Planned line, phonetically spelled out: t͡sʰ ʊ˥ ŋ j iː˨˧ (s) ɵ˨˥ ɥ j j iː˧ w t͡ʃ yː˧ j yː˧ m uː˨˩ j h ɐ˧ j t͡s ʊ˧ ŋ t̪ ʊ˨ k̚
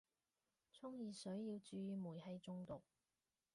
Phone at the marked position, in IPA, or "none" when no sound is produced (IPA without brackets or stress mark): s